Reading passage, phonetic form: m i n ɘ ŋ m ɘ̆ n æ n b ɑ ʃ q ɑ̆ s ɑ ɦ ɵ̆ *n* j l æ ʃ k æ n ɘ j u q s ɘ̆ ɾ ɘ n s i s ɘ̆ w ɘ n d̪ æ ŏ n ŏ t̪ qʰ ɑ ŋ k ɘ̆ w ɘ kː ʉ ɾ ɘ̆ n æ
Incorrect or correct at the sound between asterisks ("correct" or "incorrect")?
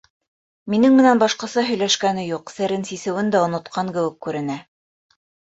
incorrect